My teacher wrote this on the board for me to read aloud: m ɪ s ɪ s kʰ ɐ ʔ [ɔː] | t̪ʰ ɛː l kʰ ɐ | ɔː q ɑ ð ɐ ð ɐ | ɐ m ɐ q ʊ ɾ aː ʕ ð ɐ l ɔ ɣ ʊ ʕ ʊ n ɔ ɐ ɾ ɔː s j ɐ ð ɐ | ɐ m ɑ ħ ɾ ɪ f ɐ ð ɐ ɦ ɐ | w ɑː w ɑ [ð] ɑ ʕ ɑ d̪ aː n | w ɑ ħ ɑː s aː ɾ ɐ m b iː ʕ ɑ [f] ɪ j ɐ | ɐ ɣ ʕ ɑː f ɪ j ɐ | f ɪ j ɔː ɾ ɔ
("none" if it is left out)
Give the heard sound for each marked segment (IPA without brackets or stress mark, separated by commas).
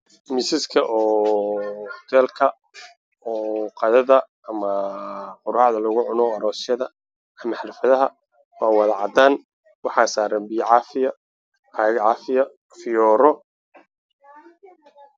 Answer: ɔː, ð, f